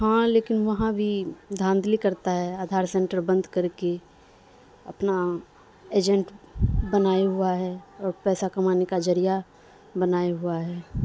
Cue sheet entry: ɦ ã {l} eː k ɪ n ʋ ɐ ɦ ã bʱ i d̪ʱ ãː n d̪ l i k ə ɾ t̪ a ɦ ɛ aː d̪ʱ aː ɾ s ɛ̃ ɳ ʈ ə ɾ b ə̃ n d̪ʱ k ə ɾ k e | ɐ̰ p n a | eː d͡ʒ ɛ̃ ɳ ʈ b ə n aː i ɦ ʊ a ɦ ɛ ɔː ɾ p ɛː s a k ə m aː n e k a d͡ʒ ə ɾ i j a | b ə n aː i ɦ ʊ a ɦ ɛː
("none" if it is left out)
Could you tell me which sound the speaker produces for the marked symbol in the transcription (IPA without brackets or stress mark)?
l